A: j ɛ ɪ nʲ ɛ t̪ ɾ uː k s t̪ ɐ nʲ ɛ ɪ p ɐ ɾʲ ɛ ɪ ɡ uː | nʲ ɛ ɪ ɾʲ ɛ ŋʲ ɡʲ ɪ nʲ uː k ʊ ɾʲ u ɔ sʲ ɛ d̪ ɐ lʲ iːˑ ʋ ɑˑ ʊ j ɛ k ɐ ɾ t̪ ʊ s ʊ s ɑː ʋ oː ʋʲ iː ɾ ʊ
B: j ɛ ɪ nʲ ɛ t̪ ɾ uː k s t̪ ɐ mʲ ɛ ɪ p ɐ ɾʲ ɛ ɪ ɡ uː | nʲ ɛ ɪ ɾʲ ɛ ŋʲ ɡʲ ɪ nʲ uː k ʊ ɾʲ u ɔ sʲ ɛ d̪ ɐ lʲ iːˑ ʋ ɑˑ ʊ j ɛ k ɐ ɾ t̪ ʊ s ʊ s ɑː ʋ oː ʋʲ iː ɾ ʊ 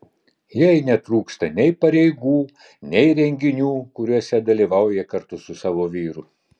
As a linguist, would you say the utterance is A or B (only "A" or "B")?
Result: A